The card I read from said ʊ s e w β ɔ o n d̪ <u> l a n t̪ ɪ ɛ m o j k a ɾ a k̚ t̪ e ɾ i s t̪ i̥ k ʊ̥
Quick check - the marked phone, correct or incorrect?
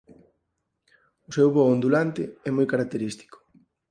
correct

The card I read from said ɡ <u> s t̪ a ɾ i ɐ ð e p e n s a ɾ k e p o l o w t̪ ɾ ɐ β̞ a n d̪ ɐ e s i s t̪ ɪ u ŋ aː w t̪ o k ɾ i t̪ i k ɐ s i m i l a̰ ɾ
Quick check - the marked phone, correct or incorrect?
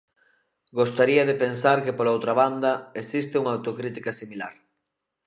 incorrect: o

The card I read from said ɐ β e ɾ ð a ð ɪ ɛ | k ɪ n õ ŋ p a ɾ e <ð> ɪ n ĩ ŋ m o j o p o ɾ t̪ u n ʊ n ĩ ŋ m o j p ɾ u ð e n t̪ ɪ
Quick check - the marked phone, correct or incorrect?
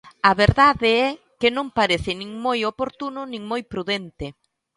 incorrect: θ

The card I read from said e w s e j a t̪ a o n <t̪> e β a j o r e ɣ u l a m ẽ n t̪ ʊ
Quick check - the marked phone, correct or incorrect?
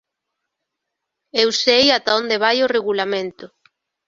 incorrect: d̪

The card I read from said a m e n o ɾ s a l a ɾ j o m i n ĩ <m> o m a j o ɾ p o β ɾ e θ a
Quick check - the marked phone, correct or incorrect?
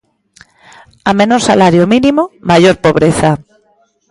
correct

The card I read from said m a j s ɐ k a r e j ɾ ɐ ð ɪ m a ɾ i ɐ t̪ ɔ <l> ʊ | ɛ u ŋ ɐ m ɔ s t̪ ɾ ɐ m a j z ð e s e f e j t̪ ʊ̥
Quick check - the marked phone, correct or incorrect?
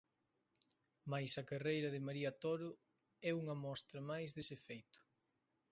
incorrect: ɾ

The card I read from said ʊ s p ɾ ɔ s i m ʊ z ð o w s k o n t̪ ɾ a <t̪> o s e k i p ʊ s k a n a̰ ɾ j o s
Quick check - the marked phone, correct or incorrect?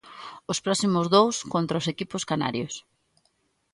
incorrect: none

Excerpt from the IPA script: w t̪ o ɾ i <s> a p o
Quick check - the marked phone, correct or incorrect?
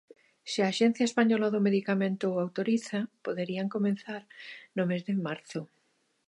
incorrect: θ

